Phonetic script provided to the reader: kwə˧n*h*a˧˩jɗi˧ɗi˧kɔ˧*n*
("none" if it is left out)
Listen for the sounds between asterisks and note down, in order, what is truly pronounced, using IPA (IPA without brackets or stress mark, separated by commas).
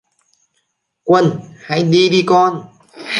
h, n